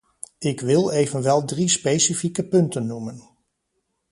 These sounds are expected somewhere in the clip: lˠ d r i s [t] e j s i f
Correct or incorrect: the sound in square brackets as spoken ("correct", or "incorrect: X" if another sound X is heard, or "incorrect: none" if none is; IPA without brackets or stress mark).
incorrect: p